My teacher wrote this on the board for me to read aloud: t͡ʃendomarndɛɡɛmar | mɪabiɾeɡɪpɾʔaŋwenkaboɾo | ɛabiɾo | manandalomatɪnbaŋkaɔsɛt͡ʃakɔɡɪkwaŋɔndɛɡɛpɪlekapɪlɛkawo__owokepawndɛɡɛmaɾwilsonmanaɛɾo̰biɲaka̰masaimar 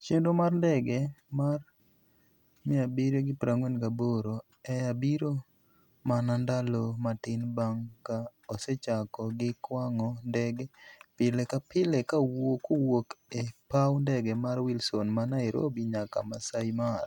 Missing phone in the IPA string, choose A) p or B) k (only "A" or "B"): B